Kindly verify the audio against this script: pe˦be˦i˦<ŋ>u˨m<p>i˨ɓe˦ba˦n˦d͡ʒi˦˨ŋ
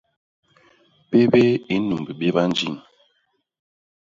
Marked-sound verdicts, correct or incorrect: incorrect, incorrect

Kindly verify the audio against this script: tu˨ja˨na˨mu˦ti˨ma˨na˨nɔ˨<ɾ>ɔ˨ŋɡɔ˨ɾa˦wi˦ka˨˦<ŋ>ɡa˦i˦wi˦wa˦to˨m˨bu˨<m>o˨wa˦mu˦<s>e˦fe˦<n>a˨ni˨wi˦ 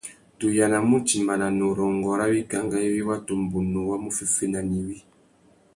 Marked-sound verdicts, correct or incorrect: correct, correct, incorrect, incorrect, correct

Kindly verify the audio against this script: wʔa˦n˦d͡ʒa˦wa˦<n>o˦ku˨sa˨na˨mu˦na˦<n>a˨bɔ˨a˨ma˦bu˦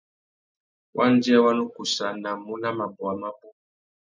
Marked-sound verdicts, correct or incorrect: correct, incorrect

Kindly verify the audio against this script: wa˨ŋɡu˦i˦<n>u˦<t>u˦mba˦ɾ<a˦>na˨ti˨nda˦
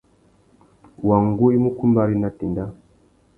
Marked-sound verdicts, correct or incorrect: incorrect, incorrect, incorrect

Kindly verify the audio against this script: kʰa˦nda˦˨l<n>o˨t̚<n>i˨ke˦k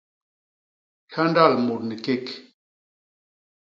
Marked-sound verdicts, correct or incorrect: incorrect, correct

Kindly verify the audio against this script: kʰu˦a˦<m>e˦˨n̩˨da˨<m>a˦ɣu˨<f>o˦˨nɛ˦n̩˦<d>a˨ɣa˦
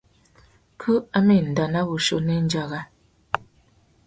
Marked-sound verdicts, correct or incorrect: correct, incorrect, incorrect, incorrect

